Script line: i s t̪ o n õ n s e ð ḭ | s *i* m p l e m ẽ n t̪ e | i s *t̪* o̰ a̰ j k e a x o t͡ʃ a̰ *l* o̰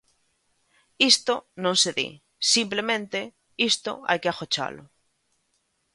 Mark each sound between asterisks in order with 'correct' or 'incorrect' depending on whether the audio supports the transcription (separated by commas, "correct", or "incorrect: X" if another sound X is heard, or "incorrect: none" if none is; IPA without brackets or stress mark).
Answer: correct, correct, correct